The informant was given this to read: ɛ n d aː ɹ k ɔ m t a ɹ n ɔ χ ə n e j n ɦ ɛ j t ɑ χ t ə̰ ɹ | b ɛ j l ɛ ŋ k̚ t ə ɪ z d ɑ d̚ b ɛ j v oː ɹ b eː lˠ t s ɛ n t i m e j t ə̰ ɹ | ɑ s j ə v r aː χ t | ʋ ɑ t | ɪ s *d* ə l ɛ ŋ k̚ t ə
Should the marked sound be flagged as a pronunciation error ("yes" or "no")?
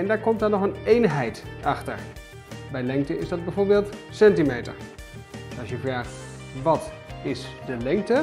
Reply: no